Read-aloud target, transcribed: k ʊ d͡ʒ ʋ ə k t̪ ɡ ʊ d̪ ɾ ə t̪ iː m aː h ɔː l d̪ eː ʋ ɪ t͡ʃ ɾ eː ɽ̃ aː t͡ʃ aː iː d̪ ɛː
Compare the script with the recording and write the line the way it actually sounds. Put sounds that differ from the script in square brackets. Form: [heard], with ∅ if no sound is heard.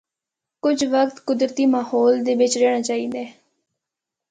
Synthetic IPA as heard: k ʊ d͡ʒ ʋ ə k t̪ [k] ʊ d̪ ɾ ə t̪ iː m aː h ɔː l d̪ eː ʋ ɪ t͡ʃ ɾ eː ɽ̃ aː t͡ʃ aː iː d̪ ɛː

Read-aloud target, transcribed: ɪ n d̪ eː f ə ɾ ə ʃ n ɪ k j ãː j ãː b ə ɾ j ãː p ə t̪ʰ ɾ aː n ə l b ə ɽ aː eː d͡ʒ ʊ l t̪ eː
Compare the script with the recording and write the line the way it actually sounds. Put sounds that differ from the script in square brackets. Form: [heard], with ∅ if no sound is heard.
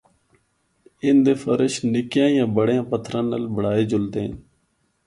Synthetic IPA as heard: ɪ n d̪ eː f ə ɾ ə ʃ n ɪ k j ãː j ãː b ə [ɽ] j ãː p ə t̪ʰ ɾ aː n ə l b ə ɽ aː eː d͡ʒ ʊ l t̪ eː

